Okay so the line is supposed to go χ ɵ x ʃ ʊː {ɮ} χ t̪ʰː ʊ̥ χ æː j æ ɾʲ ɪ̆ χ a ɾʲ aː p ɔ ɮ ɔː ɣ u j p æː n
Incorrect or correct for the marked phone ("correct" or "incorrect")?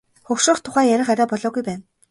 incorrect